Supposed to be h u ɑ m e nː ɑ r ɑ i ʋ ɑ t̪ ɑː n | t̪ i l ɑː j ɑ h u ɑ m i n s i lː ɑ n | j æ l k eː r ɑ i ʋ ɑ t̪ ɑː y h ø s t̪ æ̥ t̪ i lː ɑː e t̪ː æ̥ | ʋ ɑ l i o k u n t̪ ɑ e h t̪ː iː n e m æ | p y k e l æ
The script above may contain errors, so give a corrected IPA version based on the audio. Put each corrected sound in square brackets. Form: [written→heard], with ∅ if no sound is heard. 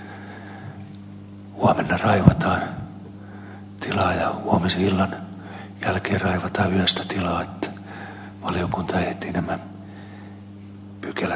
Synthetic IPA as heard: h u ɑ m e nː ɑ r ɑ i ʋ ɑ t̪ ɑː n | t̪ i l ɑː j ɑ h u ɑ m i [n→∅] s i lː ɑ n | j æ l k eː r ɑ i ʋ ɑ t̪ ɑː y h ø s t̪ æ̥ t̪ i [lː→l] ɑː e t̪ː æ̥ | ʋ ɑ l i o k u n t̪ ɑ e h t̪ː iː n [e→æ] m æ | p y k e l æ

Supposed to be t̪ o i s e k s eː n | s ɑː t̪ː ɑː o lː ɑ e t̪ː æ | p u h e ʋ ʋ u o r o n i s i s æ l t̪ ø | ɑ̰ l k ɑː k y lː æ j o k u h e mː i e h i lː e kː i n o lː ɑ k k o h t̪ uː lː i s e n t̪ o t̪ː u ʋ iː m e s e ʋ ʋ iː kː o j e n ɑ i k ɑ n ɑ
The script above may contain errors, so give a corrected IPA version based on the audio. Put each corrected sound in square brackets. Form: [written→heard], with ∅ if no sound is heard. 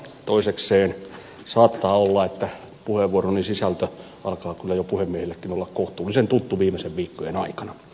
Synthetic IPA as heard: t̪ o i s e k s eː n | s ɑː t̪ː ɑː o lː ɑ e t̪ː æ | p u h e ʋ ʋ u o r o n i s i s æ l t̪ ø | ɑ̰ l k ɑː k y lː æ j o [k→p] u h e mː i e h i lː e kː i n o lː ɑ k k o h t̪ uː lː i s e n t̪ [o→u] t̪ː u ʋ iː m e s e ʋ ʋ iː kː o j e n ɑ i k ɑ n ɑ

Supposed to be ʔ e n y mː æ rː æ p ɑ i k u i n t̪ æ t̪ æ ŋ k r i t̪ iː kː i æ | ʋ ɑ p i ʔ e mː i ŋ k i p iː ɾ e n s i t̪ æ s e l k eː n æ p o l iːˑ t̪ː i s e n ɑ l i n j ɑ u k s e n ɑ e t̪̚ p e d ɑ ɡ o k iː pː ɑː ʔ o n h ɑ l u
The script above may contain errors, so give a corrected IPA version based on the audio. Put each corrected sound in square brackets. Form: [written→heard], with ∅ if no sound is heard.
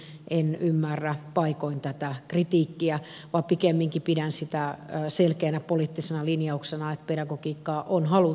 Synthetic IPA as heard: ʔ e n y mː æ rː æ p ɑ i k [u→o] i n t̪ æ t̪ æ [ŋ→∅] k r i t̪ iː kː i æ | ʋ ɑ p i [ʔ→k] e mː i ŋ k i p [iː→i] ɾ [e→æ] n s i t̪ æ s e l k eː n æ p o l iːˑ t̪ː i s e n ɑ l i n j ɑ u k s e n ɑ e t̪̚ p e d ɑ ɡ o k iː [pː→kː] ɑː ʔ o n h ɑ l u

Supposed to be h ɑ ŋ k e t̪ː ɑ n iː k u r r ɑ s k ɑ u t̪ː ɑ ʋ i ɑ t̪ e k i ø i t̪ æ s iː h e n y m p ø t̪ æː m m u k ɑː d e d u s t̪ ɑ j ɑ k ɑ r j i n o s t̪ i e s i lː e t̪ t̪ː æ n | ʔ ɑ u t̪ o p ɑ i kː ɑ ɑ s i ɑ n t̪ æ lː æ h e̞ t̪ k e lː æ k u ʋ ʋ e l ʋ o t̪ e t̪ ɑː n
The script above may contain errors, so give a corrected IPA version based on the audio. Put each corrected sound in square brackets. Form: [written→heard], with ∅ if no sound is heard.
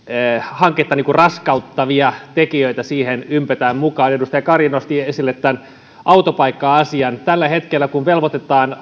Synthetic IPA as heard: h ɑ ŋ k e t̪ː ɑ n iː k u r r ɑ s k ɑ u t̪ː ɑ ʋ i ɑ t̪ e k i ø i t̪ æ s iː h e n y m p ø t̪ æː m m u k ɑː [d→n] e d u s t̪ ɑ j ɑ k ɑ r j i n o s t̪ i e s i lː e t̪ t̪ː æ n | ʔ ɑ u t̪ o p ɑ i kː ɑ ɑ s i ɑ n t̪ æ lː æ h e̞ t̪ k e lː æ k u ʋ ʋ e l ʋ o t̪ e t̪ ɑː n

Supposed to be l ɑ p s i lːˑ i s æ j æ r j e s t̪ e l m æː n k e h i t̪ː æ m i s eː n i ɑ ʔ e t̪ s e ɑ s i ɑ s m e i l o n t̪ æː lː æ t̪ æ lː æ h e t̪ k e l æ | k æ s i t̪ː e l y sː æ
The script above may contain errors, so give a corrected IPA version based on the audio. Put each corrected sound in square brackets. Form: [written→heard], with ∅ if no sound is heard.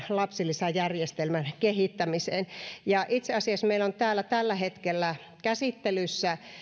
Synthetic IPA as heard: l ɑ p s i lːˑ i s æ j æ r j e s t̪ e l m [æː→æ] n k e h i t̪ː æ m i s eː n [i→j] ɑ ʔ [e→i] t̪ s e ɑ s i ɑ s m e i l o n t̪ æː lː æ t̪ æ lː æ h e t̪ k e [l→lː] æ | k æ s i t̪ː e l y sː æ

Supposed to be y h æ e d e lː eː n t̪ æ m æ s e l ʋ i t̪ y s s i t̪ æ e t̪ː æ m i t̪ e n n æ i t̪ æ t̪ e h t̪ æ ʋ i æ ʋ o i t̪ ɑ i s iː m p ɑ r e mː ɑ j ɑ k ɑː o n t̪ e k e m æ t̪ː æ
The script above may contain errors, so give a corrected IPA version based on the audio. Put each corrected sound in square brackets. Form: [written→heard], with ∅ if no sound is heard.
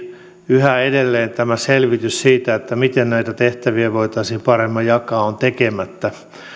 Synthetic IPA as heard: y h æ e d e lː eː n t̪ æ m æ s e l ʋ i t̪ y s s [i→iː] t̪ æ e t̪ː æ m i t̪ e n n æ i t̪ æ t̪ e h t̪ æ ʋ i æ ʋ o i t̪ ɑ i s iː m p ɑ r e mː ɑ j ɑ k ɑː o n t̪ e k e m æ t̪ː æ

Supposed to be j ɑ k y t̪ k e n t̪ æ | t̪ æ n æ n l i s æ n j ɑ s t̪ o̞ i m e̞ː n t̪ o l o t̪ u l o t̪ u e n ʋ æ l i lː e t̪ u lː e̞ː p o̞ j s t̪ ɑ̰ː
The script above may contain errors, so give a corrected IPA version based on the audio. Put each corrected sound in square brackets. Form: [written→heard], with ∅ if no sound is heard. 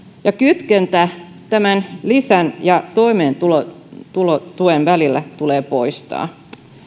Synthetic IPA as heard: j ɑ k y t̪ k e n t̪ æ | t̪ æ [n→m] æ n l i s æ n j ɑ [s→∅] t̪ o̞ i m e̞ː n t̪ [o→u] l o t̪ u l o t̪ u e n ʋ æ l i lː [e→æ] t̪ u [lː→l] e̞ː p o̞ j s t̪ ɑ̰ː

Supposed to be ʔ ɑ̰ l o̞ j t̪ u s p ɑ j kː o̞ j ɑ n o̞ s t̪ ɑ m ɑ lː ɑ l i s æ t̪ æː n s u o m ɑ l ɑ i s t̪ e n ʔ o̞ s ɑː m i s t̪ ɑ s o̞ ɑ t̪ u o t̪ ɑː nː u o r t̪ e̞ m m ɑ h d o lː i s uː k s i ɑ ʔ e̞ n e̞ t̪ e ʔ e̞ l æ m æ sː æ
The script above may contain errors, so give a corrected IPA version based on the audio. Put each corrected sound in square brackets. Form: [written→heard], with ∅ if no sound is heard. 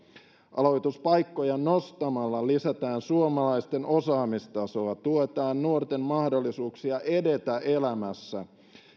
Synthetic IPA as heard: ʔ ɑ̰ l o̞ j t̪ u s p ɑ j kː o̞ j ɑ n o̞ s t̪ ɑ m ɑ lː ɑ l i s æ t̪ æː n s u o m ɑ l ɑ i s t̪ e n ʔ o̞ s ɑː m i s t̪ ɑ s o̞ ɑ t̪ u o t̪ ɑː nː u o r t̪ e̞ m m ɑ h d o lː i s uː k s i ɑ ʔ e̞ [n→d] e̞ t̪ [e→æ] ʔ e̞ l æ m æ sː æ

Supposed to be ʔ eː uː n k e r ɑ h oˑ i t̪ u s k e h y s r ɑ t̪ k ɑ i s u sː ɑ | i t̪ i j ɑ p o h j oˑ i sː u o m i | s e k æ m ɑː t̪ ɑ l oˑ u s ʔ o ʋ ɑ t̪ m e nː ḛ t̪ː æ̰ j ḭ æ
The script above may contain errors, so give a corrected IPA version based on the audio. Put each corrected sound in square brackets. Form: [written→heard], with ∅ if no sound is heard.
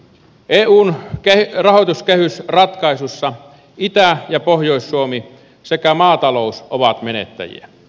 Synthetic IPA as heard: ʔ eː uː n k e r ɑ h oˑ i t̪ u s k e h y s r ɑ t̪ k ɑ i s u sː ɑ | i t̪ [i→æ] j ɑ p o h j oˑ i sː u o m i | s e k æ m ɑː t̪ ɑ l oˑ u s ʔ o ʋ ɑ t̪ m e [nː→n] ḛ t̪ː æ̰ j ḭ æ

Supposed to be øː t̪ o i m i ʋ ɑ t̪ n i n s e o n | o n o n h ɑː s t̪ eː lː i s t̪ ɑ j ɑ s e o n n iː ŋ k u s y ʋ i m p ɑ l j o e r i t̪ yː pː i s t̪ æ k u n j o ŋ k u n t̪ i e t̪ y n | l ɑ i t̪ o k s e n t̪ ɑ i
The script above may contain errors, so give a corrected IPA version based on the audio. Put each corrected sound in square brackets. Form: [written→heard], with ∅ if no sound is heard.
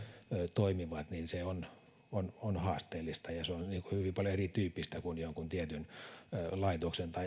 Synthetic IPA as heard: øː t̪ o i m i ʋ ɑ t̪ n i n s e o n | o n o n h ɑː s t̪ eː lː i s t̪ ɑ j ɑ s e o n n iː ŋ k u [s→h] y ʋ i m p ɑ l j o e r i t̪ yː pː i s t̪ æ k u n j o ŋ k u n t̪ i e t̪ y n | l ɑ i t̪ o k s e n t̪ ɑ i

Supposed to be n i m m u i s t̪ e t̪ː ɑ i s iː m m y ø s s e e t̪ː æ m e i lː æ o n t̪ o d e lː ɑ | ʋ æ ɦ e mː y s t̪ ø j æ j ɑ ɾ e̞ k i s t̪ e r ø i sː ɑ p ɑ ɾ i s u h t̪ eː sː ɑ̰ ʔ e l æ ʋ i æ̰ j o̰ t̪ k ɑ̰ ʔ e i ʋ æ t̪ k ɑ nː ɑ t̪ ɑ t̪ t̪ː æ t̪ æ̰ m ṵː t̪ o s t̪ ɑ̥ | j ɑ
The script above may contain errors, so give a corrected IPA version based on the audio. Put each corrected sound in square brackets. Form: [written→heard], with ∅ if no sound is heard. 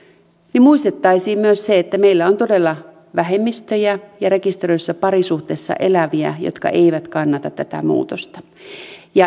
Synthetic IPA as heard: n i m m u i s t̪ e t̪ː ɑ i s iː m m y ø s s e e t̪ː æ m e i lː æ o n t̪ o d e lː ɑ | ʋ æ ɦ e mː [y→i] s t̪ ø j æ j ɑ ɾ e̞ k i s t̪ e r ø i sː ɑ p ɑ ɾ i s u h t̪ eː sː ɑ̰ ʔ e l æ ʋ i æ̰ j o̰ t̪ k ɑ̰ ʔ e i ʋ æ t̪ k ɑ nː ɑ t̪ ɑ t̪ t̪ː æ t̪ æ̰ m ṵː t̪ o s t̪ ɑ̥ | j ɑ

